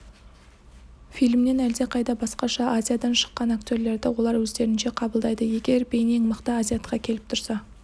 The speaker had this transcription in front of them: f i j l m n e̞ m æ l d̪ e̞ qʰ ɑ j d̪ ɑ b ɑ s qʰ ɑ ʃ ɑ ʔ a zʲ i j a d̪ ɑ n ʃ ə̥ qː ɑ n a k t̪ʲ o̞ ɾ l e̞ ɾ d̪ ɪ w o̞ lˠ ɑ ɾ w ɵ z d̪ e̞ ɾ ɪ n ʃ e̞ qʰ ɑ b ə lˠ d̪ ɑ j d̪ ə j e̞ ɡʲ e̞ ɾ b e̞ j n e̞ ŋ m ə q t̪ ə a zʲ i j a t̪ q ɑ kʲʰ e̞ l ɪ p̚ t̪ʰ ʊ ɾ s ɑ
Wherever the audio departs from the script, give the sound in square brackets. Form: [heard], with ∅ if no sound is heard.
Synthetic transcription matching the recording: f i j l m n e̞ [n] æ l d̪ e̞ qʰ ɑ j d̪ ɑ b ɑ s [q] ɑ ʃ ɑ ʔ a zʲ i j a d̪ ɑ n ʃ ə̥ qː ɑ n a k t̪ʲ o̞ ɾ l e̞ ɾ d̪ ɪ w o̞ lˠ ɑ ɾ w ɵ z d̪ e̞ ɾ ɪ n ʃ e̞ qʰ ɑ b ə lˠ d̪ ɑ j d̪ ə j e̞ ɡʲ e̞ ɾ b e̞ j n e̞ ŋ m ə q t̪ ə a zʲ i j a t̪ q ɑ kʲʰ e̞ l ɪ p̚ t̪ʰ ʊ ɾ s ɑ